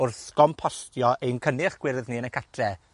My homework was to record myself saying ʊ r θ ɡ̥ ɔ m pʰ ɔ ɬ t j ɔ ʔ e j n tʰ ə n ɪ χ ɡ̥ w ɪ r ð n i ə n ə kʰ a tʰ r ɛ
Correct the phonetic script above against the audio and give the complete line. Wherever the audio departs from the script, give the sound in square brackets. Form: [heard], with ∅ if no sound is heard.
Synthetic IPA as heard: ʊ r θ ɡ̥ ɔ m pʰ ɔ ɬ t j ɔ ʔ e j n [kʰ] ə n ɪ χ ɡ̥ w ɪ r ð n i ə n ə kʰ a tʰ r ɛ